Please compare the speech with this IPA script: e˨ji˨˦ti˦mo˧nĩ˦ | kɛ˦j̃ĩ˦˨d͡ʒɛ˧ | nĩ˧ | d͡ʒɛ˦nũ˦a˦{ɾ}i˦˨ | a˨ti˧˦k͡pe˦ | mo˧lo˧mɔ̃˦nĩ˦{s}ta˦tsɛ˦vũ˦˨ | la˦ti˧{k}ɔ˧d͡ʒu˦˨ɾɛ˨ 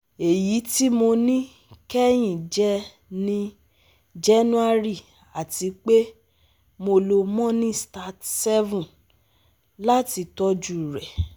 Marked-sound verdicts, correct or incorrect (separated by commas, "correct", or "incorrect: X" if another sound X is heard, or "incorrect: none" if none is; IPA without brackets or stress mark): correct, correct, incorrect: t